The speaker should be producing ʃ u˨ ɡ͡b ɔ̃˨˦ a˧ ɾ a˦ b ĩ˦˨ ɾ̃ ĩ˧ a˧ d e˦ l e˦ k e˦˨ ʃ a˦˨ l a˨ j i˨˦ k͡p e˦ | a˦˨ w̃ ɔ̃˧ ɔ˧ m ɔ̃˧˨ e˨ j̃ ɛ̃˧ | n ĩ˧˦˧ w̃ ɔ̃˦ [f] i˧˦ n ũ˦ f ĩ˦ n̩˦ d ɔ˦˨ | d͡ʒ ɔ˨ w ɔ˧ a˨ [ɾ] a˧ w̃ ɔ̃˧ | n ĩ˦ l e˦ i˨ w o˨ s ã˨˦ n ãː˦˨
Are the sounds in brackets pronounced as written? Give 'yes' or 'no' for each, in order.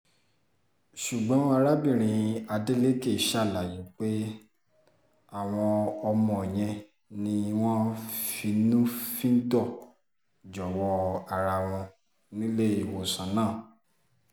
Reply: yes, yes

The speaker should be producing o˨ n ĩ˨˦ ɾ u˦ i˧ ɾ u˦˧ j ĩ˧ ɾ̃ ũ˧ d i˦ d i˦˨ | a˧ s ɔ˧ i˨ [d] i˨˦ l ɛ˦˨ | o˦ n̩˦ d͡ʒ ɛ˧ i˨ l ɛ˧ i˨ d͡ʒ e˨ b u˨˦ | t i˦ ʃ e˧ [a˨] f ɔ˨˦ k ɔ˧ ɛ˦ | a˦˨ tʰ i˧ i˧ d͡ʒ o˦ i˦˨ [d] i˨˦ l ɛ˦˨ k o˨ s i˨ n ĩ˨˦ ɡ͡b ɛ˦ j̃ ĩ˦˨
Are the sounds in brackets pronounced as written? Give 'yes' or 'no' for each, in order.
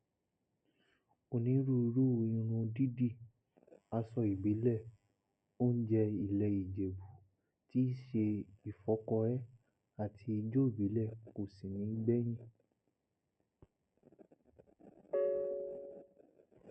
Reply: no, no, no

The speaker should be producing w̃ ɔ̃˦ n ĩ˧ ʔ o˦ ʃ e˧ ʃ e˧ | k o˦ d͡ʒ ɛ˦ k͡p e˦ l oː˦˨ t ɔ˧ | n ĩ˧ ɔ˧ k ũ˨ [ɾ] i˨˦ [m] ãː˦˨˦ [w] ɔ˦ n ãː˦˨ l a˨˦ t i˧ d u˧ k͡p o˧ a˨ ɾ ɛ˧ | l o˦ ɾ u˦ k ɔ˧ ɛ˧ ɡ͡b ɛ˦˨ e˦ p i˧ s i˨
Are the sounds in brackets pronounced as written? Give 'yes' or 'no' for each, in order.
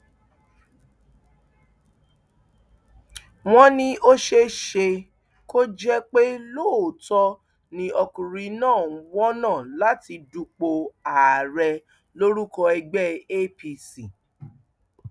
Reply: yes, no, yes

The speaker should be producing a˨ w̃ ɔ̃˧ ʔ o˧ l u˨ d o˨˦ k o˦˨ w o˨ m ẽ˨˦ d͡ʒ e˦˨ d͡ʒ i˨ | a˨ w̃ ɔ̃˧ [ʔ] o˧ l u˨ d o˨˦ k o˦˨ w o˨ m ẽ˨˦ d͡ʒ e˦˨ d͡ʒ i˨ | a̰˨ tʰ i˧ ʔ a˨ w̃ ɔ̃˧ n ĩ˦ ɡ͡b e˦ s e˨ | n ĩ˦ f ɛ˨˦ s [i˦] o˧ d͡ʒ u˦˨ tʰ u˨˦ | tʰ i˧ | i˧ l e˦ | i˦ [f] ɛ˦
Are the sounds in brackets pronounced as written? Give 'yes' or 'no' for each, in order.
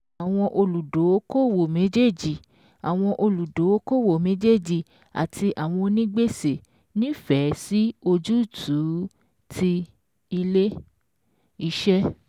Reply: yes, yes, no

